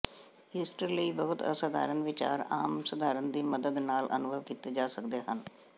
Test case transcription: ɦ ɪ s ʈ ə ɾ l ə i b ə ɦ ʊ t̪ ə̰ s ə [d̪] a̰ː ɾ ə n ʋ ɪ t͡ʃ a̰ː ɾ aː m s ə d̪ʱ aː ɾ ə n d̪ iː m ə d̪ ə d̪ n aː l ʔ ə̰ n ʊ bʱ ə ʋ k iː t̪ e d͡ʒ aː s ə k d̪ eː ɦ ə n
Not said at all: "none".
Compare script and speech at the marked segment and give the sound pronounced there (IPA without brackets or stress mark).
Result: d̪